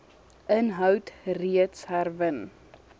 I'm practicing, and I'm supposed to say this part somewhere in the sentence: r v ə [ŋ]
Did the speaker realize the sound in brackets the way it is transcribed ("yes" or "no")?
no